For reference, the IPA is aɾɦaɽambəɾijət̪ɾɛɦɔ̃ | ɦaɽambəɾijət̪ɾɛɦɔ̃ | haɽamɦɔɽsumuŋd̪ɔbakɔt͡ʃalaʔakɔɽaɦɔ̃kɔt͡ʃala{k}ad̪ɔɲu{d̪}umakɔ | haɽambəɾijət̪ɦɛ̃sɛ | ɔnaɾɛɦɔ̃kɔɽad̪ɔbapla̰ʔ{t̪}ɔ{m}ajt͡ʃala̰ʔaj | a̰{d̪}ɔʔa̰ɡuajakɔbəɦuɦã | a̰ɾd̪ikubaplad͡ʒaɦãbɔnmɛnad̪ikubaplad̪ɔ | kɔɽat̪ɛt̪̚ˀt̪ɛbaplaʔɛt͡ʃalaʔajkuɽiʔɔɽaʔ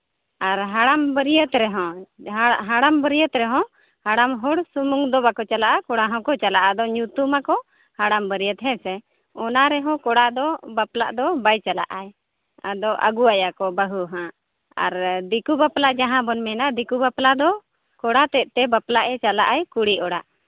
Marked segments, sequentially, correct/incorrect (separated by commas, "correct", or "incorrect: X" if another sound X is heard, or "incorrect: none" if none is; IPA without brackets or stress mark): incorrect: ʔ, incorrect: t̪, incorrect: d̪, incorrect: b, correct